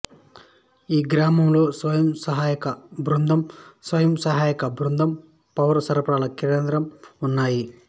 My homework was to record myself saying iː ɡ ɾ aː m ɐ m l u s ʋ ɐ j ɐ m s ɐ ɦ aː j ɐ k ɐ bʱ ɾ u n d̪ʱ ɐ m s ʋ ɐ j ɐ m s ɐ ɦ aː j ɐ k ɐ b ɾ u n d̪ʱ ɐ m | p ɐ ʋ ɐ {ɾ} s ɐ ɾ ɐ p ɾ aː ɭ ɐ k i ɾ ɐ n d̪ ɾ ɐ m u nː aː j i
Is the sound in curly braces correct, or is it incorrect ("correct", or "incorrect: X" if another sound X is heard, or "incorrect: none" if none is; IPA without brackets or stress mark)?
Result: correct